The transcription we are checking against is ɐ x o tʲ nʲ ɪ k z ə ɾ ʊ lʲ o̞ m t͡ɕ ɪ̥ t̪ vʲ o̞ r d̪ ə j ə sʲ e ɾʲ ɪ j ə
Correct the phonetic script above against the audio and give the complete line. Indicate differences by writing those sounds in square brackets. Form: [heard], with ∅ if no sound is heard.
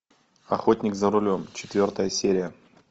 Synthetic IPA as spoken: ɐ x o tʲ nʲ ɪ k z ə ɾ ʊ lʲ o̞ m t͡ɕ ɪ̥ t̪ vʲ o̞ r [t̪] ə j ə sʲ e ɾʲ ɪ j ə